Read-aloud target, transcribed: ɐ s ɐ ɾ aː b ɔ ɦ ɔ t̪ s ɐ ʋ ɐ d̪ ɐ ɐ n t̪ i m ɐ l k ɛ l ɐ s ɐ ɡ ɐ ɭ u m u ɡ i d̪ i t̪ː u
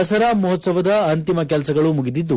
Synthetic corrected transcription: ɐ s ɐ ɾ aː m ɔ ɦ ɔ t̪ s ɐ ʋ ɐ d̪ ɐ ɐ n t̪ i m ɐ k ɛ l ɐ s ɐ ɡ ɐ ɭ u m u ɡ i d̪ i d̪ː u